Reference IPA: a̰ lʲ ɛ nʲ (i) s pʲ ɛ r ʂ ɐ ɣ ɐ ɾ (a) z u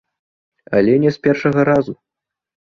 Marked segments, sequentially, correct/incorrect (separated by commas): incorrect, correct